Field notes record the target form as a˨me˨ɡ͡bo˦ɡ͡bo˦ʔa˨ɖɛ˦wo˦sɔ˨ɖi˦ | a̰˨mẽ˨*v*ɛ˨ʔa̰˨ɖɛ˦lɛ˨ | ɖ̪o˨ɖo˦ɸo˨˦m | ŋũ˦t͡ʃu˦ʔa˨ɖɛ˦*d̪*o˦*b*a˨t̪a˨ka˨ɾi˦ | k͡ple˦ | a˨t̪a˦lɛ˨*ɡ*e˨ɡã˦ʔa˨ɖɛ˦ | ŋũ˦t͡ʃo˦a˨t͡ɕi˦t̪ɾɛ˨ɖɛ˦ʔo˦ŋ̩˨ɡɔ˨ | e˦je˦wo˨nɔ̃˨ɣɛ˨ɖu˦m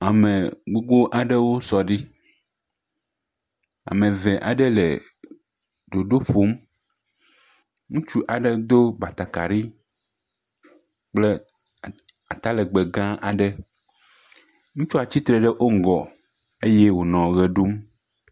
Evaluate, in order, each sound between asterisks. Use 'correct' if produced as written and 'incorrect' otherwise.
correct, correct, correct, incorrect: ɡ͡b

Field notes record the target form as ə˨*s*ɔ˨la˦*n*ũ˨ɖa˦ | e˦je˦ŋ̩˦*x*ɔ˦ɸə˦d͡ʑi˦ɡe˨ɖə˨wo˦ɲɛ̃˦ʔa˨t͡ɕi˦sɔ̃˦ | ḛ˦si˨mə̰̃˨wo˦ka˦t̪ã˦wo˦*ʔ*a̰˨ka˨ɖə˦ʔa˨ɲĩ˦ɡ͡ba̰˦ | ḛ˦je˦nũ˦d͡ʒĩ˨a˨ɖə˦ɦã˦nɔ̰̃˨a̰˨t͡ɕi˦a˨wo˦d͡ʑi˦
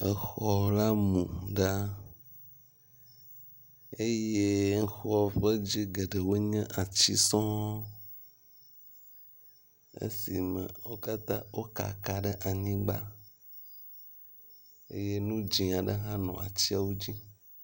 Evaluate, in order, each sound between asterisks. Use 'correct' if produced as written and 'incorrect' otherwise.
incorrect: x, incorrect: m, correct, incorrect: k

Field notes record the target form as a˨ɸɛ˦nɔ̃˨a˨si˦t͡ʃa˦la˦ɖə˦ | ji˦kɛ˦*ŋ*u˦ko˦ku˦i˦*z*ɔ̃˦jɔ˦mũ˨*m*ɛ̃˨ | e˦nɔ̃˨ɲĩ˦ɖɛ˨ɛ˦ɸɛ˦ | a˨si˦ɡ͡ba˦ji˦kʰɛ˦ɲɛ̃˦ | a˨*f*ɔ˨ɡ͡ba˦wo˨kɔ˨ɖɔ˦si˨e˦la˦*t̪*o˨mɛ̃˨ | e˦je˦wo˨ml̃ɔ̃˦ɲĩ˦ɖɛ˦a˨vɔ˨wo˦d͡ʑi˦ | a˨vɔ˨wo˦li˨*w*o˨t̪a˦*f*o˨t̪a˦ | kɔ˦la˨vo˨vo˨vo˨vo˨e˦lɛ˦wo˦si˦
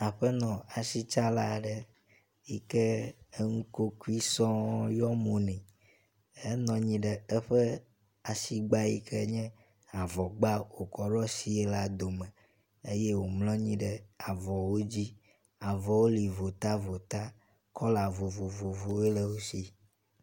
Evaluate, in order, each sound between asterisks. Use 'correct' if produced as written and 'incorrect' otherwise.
correct, incorrect: s, incorrect: n, incorrect: v, incorrect: d̪, incorrect: v, incorrect: v

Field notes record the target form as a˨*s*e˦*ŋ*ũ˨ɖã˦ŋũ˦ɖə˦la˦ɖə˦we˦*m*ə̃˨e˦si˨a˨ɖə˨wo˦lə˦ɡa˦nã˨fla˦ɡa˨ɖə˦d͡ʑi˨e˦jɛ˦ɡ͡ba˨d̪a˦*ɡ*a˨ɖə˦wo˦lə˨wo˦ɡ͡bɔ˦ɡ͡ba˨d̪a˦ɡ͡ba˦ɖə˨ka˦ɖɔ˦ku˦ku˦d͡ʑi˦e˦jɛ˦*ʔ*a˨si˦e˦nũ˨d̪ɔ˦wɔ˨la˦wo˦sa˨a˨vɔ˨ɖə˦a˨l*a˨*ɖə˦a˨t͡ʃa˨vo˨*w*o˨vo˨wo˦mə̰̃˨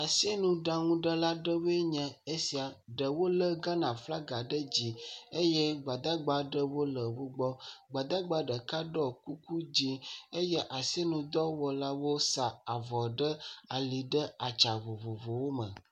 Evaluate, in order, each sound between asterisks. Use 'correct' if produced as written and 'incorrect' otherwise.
correct, incorrect: n, incorrect: ɲ, incorrect: ɡ͡b, correct, incorrect: i˨, incorrect: v

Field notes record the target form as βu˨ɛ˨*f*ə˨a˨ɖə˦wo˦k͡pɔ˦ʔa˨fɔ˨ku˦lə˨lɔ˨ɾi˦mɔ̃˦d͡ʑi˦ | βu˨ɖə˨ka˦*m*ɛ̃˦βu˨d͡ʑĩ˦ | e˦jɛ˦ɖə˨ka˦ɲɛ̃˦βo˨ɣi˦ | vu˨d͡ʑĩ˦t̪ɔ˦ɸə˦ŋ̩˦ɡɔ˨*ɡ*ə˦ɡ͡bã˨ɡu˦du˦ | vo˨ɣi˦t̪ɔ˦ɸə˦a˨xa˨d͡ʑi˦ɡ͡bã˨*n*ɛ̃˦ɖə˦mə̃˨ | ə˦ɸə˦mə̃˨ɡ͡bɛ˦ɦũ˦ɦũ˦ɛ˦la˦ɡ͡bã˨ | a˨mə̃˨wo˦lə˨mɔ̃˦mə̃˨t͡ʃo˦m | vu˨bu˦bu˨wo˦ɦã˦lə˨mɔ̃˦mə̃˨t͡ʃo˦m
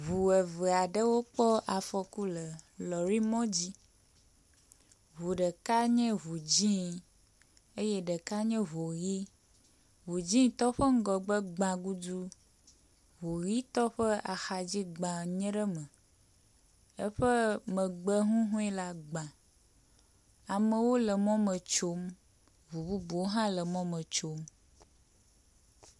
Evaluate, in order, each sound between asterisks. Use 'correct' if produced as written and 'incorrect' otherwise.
incorrect: v, incorrect: ɲ, incorrect: ɡ͡b, incorrect: ɲ

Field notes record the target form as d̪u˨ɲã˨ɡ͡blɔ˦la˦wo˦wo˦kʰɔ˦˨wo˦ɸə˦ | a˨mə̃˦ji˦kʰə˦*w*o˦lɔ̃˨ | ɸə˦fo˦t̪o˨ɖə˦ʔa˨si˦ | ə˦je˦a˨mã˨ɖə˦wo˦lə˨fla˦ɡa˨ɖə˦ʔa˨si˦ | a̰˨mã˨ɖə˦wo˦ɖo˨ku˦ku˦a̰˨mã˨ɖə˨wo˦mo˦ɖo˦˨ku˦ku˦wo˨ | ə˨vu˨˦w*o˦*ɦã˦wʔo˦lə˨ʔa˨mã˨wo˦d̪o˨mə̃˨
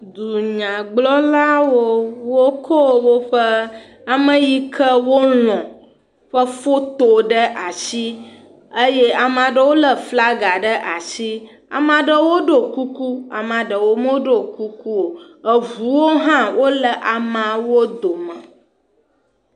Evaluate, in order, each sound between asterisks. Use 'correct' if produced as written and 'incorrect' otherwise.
correct, correct

